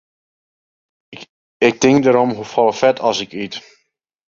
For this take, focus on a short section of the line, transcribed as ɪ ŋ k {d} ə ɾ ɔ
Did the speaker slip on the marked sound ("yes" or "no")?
no